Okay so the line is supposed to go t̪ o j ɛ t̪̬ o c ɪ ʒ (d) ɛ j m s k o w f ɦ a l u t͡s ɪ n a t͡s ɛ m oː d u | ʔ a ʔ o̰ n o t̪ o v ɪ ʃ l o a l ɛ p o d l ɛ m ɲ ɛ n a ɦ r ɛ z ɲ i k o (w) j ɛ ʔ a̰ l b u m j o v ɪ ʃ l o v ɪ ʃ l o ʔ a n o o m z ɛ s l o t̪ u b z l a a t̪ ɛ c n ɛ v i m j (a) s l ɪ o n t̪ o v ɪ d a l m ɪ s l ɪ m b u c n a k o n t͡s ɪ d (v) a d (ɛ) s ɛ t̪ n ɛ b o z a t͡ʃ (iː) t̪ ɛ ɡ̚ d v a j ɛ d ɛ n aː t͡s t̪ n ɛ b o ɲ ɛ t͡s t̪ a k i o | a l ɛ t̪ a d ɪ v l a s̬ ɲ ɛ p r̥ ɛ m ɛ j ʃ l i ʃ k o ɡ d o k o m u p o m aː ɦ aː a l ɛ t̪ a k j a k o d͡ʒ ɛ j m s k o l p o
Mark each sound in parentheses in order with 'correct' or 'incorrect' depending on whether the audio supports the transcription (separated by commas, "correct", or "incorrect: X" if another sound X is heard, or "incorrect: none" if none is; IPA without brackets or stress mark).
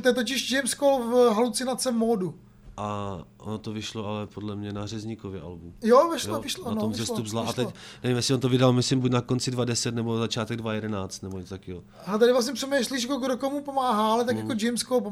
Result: incorrect: d͡ʒ, incorrect: v, incorrect: ɛ, correct, correct, incorrect: aː